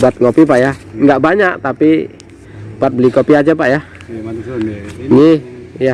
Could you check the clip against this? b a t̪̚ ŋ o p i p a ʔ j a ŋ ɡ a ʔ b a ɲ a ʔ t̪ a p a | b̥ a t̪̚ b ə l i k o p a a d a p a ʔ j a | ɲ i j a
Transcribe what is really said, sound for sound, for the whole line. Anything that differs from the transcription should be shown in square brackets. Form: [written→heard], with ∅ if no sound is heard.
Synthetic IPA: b a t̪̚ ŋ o p i p a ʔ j a ŋ ɡ a ʔ b a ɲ a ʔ t̪ a p [a→i] | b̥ a t̪̚ b ə l i k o p [a→i] a [d→d͡ʒ] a p a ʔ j a | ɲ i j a